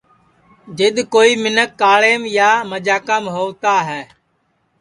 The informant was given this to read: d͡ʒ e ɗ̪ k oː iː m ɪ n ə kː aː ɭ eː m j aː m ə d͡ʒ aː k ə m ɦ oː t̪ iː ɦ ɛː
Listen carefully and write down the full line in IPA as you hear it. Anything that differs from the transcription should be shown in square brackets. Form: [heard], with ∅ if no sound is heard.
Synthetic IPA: d͡ʒ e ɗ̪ k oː iː m ɪ n ə kː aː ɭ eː m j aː m ə d͡ʒ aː k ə m ɦ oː t̪ [aː] ɦ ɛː